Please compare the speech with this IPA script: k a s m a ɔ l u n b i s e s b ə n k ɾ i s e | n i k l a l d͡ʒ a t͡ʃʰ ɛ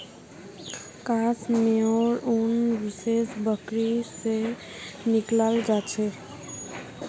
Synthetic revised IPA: k a s m e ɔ ɾ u n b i s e s b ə k ɾ i s e | n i k l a l d͡ʒ a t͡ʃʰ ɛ